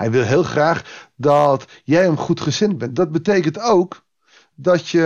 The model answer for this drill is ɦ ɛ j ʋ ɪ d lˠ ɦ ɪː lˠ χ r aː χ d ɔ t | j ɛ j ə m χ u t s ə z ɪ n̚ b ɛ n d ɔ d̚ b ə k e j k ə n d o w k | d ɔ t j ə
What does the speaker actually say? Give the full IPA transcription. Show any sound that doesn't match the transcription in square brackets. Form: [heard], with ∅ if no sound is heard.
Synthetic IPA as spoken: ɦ ɛ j ʋ ɪ [∅] lˠ ɦ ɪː lˠ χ r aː χ d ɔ t | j ɛ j ə m χ u t [χ] ə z ɪ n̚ b ɛ n d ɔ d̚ b ə [t] e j k ə n [t] o w k | d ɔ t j ə